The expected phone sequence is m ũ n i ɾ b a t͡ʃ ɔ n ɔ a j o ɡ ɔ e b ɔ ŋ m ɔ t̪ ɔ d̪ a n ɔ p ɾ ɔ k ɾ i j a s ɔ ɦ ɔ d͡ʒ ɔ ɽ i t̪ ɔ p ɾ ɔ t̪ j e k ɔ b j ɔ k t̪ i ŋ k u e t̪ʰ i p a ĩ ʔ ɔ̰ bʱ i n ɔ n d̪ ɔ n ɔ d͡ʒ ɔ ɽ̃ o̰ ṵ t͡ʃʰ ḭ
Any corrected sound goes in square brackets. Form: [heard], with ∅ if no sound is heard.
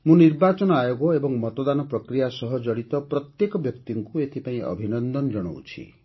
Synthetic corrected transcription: m ũ n i ɾ b a t͡ʃ ɔ n ɔ a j o ɡ ɔ e b ɔ ŋ m ɔ t̪ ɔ d̪ a n ɔ p ɾ ɔ k ɾ i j a s ɔ ɦ ɔ d͡ʒ ɔ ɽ i t̪ ɔ p ɾ ɔ t̪ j e k ɔ b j ɔ k t̪ i ŋ k u e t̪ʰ i p a ĩ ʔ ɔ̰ bʱ i n ɔ n d̪ ɔ n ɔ d͡ʒ ɔ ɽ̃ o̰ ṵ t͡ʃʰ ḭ